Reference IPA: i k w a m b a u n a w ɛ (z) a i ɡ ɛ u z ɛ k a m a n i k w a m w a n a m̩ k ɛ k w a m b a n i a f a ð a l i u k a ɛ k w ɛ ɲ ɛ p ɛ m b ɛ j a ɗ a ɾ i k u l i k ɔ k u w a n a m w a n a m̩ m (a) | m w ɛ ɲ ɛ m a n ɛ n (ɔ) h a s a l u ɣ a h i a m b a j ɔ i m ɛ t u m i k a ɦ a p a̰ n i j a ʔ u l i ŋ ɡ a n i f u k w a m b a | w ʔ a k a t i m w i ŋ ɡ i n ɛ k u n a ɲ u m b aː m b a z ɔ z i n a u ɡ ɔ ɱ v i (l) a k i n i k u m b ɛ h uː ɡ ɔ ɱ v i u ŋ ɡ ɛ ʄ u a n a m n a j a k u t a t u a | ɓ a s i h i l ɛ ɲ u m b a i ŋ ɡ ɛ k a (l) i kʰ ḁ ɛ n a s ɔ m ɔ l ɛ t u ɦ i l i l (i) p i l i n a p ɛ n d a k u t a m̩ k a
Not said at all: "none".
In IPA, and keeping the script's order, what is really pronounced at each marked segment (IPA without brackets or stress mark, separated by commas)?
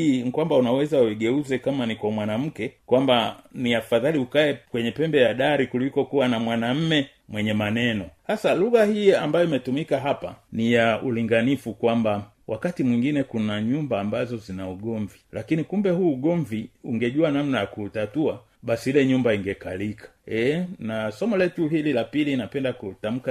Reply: z, ɛ, ɔ, l, l, a